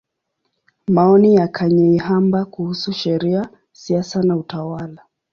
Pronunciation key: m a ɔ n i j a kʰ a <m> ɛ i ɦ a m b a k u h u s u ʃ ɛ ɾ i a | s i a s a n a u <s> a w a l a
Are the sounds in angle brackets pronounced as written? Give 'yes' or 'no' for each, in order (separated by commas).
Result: no, no